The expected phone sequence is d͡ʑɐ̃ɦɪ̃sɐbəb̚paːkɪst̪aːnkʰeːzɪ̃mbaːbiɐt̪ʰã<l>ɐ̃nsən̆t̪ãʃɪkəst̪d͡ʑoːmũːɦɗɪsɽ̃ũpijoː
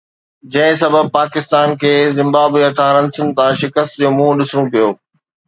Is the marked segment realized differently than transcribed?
yes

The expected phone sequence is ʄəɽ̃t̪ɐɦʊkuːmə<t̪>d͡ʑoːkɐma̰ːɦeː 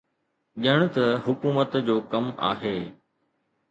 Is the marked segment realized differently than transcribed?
no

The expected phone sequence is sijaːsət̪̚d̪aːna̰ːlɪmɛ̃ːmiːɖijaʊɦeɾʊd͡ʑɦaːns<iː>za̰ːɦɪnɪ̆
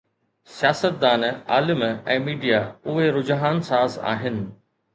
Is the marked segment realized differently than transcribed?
yes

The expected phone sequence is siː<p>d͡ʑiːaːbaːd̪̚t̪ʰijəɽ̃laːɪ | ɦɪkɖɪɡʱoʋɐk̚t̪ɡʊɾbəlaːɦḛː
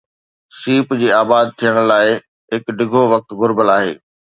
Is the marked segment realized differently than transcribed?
no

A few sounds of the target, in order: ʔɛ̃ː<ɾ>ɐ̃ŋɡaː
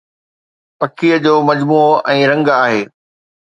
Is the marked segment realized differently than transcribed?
no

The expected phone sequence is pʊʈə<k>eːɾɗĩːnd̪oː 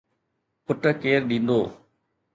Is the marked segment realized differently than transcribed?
no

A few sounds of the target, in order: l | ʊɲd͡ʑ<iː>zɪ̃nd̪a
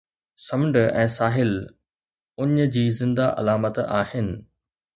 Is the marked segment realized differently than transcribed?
no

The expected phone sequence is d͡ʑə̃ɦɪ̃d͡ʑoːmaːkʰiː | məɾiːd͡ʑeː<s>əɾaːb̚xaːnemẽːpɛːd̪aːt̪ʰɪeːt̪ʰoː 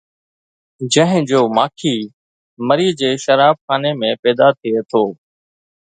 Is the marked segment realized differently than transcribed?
yes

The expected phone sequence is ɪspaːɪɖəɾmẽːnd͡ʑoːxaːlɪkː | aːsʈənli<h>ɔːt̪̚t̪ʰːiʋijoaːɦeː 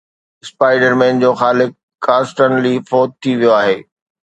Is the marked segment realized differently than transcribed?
yes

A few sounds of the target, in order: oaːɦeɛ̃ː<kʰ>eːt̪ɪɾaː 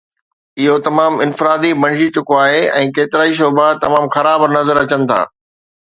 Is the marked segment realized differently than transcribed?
yes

